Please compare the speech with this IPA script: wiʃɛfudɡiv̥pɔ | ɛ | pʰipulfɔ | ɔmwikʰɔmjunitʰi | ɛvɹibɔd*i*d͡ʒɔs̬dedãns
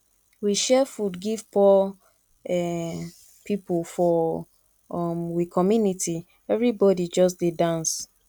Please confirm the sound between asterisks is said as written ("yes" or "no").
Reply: yes